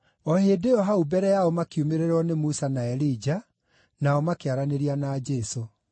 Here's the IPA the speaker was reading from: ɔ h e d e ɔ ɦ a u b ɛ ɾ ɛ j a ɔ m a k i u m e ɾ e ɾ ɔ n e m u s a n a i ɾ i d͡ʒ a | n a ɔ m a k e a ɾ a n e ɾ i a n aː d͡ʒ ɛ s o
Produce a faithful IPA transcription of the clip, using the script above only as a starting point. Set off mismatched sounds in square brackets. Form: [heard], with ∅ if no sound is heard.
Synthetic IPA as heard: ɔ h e d e ɔ ɦ a u b ɛ ɾ ɛ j a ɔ m a k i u m e ɾ e ɾ ɔ n e m u s a n a [ɛ] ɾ i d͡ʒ a | n a ɔ m a k e a ɾ a n e ɾ i a n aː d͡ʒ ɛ s o